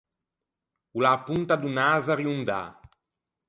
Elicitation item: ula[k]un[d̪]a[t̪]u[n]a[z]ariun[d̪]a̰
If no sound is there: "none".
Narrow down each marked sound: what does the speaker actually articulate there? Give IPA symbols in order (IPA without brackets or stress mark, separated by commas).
p, t̪, d̪, n, z, d̪